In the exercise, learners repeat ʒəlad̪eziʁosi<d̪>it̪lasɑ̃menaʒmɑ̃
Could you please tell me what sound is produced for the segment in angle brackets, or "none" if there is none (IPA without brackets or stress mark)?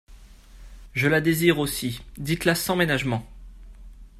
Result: d̪